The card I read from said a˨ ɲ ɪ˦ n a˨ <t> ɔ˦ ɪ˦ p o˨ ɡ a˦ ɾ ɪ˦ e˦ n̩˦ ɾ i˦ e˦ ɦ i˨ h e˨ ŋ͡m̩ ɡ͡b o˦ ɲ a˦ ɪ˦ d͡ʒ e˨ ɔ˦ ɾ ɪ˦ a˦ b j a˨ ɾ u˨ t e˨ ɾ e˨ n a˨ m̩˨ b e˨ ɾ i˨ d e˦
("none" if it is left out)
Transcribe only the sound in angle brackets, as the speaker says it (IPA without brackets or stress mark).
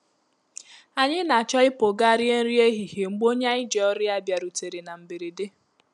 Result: t͡ʃ